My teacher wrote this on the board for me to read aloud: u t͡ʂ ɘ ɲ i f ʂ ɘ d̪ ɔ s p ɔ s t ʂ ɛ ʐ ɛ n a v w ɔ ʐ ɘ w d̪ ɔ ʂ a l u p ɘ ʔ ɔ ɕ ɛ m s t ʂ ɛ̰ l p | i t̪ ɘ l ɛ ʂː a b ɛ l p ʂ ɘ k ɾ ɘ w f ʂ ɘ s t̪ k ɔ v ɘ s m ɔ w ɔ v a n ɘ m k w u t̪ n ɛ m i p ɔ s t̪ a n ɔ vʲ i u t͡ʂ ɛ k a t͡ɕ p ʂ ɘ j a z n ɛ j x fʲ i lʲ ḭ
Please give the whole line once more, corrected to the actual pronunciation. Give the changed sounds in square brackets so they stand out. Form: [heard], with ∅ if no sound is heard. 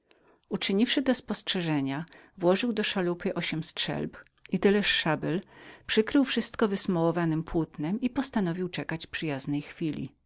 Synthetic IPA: u t͡ʂ ɘ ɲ i f ʂ ɘ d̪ ɔ s p ɔ s t ʂ ɛ ʐ ɛ [ɲ] a v w ɔ ʐ ɘ w d̪ ɔ ʂ a l u p ɘ ʔ ɔ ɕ ɛ m s t ʂ ɛ̰ l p | i t̪ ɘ l ɛ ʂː a b ɛ l p ʂ ɘ k ɾ ɘ w f ʂ ɘ s t̪ k ɔ v ɘ s m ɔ w ɔ v a n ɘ m [p] w u t̪ n ɛ m i p ɔ s t̪ a n ɔ vʲ i [w] t͡ʂ ɛ k a t͡ɕ p ʂ ɘ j a z n ɛ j x fʲ i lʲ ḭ